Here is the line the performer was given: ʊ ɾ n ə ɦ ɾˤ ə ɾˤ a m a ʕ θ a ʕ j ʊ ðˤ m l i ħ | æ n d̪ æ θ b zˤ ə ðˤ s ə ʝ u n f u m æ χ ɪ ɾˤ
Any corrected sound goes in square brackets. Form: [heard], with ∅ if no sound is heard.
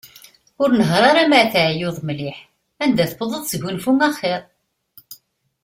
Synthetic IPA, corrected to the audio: ʊ ɾ n ə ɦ ɾˤ [ɑ] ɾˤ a m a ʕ θ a ʕ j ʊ ðˤ m l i ħ | æ n d̪ æ θ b [ðˤ] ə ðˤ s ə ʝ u n f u m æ χ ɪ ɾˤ